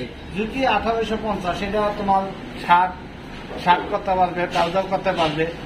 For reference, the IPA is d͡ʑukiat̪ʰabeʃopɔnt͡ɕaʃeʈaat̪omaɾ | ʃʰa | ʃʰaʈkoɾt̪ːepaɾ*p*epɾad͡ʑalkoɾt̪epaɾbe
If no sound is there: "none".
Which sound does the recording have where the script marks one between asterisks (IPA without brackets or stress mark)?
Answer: b